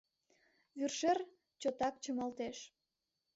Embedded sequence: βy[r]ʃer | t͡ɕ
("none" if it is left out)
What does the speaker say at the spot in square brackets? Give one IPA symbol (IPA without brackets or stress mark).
r